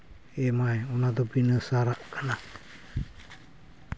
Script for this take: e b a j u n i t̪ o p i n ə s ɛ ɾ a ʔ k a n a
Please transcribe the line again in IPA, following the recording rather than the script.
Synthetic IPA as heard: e m a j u n a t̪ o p i n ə s a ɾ a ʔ k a n a